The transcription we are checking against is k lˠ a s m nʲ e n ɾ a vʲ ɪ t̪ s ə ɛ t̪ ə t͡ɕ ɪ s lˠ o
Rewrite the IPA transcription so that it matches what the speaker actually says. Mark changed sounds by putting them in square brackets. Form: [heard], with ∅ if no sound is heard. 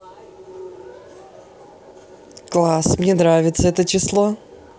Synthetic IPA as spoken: k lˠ a s m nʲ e n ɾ a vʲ ɪ t̪ s ə ɛ t̪ ə t͡ɕ ɪ s lˠ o